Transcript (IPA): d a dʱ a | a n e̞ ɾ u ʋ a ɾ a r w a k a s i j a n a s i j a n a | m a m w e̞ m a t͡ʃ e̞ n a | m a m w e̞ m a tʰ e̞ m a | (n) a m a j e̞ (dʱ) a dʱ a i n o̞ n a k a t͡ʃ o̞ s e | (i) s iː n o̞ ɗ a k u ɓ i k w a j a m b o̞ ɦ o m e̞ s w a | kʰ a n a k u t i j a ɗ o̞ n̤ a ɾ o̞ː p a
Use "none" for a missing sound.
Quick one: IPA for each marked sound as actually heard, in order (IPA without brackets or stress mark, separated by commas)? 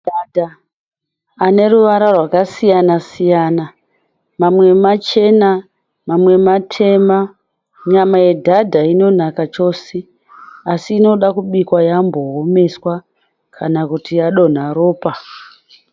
ɲ, dʱ, a